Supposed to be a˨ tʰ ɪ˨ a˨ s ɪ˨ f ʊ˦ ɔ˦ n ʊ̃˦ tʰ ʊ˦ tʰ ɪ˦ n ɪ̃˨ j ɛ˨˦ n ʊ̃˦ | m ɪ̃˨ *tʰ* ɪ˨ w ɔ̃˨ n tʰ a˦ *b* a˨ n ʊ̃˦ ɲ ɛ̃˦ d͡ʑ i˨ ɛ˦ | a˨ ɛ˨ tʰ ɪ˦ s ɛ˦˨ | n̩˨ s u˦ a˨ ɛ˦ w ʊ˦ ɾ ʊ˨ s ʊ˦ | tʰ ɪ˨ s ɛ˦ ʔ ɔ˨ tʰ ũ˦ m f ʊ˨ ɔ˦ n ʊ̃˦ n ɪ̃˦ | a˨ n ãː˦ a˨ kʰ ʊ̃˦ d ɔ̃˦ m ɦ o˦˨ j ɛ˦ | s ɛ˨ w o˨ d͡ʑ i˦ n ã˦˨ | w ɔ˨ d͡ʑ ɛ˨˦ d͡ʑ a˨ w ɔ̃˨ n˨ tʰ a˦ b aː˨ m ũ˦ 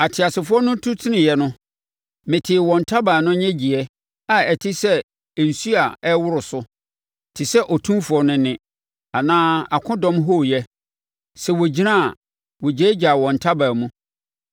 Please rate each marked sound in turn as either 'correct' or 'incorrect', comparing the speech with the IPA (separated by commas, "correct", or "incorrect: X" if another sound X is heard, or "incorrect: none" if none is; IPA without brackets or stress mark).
correct, correct